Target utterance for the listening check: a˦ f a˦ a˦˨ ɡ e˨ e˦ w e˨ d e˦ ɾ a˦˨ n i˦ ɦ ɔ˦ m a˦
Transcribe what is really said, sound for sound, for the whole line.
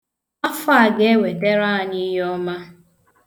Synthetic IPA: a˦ f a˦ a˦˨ ɡ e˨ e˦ w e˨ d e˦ ɾ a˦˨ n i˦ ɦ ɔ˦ m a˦